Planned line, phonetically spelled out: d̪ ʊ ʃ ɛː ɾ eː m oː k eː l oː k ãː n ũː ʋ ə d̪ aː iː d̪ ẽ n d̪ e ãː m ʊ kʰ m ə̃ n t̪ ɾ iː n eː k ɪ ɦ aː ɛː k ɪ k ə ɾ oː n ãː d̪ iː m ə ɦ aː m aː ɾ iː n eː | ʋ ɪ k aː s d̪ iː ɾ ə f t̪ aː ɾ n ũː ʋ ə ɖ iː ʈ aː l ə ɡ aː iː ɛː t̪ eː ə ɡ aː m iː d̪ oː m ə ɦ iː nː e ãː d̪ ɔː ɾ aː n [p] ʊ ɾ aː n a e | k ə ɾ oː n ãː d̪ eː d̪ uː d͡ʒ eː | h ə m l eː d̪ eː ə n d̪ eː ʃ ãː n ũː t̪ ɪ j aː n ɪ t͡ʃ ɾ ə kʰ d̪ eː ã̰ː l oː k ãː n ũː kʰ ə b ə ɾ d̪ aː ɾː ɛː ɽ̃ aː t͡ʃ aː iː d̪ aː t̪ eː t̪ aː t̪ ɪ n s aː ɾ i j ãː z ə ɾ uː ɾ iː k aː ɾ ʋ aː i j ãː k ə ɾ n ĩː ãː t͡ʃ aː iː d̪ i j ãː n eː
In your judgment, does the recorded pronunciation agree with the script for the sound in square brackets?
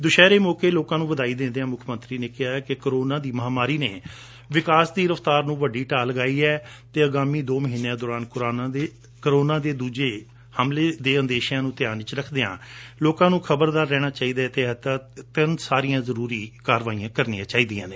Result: no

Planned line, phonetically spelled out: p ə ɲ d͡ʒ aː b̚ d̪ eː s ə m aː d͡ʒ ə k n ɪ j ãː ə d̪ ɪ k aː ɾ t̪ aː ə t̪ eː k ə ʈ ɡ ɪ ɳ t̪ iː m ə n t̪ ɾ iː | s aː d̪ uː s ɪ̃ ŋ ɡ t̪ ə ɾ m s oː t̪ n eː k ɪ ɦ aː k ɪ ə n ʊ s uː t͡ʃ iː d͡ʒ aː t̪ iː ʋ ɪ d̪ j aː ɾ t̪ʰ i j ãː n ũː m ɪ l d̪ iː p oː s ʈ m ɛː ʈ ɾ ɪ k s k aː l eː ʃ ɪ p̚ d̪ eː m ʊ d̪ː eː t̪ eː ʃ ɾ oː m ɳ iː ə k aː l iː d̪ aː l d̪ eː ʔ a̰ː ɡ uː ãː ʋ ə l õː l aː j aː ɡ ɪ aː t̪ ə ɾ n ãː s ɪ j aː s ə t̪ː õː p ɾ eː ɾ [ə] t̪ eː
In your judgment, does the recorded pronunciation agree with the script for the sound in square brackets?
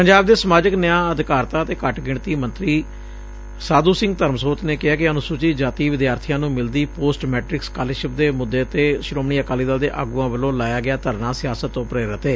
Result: yes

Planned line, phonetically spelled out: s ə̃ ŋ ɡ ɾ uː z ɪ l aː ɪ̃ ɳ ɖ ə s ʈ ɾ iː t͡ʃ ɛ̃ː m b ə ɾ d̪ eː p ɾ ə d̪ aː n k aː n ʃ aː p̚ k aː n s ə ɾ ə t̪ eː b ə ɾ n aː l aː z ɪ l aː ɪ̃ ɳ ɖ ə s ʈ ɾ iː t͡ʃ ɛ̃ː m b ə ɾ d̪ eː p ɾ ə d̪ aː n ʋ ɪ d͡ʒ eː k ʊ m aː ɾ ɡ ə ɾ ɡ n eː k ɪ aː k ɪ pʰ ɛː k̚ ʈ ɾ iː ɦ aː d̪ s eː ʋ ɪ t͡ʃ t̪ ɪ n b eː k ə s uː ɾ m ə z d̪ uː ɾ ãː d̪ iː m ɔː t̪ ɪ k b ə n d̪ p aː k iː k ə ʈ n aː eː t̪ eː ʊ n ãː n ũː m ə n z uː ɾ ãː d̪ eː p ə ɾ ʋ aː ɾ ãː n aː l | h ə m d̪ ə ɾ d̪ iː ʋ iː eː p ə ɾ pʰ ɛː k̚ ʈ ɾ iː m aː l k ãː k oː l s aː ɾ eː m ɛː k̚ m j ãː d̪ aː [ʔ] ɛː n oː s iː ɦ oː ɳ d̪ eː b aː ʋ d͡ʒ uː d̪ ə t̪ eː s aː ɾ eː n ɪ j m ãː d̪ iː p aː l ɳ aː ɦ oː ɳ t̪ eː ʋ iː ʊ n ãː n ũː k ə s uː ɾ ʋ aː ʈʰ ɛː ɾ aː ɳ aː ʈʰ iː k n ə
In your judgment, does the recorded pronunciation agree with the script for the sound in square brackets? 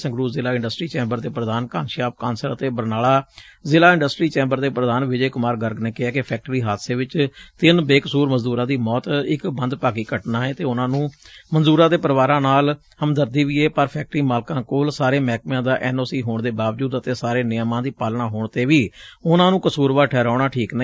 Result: yes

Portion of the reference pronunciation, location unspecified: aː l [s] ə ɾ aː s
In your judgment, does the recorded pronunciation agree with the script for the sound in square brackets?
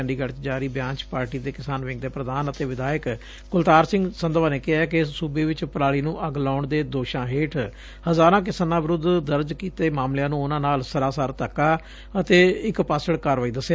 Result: yes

